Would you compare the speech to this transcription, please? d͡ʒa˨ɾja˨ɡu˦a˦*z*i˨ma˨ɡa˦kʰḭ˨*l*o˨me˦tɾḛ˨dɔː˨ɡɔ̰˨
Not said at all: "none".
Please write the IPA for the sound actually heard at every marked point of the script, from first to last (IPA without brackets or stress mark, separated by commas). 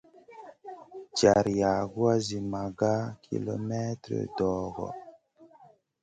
z, l